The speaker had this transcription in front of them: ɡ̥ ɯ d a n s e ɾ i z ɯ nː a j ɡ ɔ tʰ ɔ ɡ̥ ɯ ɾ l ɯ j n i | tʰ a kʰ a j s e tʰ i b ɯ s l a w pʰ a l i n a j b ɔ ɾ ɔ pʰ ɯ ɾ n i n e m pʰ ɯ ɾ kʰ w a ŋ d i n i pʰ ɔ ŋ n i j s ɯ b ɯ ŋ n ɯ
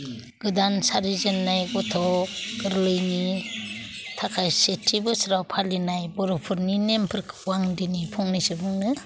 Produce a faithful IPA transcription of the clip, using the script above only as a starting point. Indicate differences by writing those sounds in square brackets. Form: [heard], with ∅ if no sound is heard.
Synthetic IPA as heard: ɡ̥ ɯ d a n s [a] ɾ i z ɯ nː a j ɡ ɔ tʰ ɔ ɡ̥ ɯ ɾ l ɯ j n i | tʰ a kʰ a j s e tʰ i b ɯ s [ɾ] a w pʰ a l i n a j b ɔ ɾ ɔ pʰ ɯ ɾ n i n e m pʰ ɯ ɾ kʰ w a ŋ d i n i pʰ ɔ ŋ n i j s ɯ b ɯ ŋ n ɯ